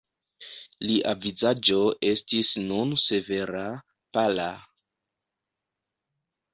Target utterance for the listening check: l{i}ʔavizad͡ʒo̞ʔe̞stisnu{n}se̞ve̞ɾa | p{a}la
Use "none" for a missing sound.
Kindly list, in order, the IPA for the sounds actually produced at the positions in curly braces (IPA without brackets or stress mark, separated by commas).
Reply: i, n, a